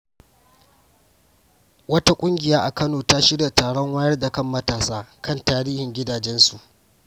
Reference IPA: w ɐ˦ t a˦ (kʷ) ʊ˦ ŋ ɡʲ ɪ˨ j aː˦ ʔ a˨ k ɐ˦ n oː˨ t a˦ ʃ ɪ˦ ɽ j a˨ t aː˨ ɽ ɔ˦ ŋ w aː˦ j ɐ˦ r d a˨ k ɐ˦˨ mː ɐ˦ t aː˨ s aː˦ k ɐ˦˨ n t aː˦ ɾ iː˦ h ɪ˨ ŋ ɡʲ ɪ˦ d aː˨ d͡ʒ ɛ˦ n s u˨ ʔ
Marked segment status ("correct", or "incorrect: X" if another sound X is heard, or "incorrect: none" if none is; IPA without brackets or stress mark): incorrect: kʷʼ